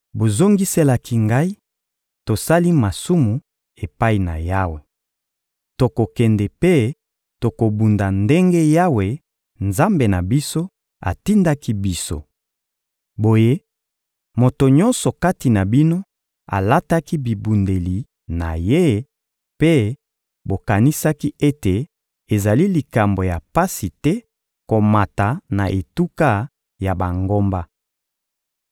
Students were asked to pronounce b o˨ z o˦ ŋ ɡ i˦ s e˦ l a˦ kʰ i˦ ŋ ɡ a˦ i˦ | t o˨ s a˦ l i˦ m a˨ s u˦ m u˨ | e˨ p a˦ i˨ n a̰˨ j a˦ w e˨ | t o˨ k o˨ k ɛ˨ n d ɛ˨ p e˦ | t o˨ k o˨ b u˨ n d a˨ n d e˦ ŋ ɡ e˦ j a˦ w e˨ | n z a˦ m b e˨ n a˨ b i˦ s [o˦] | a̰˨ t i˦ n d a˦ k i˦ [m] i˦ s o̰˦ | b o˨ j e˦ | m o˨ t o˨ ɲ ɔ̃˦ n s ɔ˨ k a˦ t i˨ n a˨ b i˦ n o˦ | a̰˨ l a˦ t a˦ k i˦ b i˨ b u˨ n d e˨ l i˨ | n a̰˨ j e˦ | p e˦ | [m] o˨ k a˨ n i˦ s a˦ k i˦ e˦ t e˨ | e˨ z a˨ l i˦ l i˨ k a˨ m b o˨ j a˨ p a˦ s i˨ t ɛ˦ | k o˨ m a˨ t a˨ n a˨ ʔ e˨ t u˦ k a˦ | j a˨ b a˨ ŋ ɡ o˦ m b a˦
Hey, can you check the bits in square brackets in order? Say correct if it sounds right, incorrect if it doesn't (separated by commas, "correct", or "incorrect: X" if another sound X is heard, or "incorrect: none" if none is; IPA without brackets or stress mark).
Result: correct, incorrect: b, incorrect: b